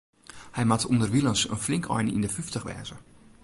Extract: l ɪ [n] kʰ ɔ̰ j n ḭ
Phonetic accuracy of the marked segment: incorrect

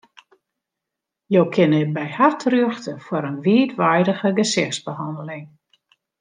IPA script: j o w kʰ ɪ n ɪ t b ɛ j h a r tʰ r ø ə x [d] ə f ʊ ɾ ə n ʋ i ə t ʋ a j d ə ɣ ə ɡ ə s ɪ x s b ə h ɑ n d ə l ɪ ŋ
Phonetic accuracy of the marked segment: incorrect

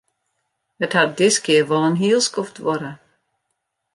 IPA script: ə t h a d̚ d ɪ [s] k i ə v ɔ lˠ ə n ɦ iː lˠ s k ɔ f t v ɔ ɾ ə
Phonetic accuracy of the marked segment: correct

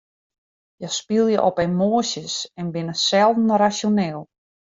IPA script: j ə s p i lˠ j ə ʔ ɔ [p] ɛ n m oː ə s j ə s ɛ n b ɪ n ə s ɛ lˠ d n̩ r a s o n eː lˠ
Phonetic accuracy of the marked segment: correct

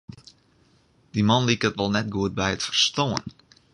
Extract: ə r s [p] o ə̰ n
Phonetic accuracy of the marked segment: incorrect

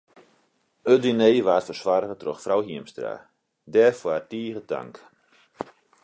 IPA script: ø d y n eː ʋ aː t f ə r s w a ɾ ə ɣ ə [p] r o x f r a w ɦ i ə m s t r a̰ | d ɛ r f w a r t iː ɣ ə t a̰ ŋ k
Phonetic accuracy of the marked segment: incorrect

